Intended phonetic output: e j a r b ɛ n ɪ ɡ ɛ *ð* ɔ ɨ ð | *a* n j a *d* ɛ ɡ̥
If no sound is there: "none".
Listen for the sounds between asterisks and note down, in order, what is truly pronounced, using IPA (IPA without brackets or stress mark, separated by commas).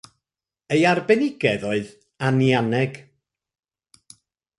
ð, a, n